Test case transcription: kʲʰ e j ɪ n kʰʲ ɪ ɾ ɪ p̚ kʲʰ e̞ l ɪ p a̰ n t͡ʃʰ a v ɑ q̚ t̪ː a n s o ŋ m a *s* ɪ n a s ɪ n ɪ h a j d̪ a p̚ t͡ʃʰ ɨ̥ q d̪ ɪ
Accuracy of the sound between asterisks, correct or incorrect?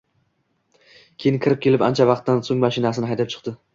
incorrect